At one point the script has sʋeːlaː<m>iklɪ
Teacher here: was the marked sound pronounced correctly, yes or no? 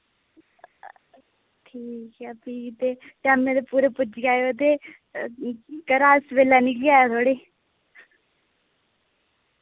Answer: no